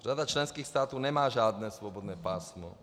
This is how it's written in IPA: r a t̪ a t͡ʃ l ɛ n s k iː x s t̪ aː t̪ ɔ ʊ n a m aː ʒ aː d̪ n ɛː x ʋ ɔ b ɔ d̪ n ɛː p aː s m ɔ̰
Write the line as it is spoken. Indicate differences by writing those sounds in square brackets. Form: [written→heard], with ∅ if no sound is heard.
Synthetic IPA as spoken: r a [t̪→d̪] a t͡ʃ l ɛ n s k iː x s t̪ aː t̪ ɔ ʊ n [a→ɛ] m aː ʒ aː d̪ n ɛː [x→s] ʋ ɔ b ɔ d̪ n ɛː p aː s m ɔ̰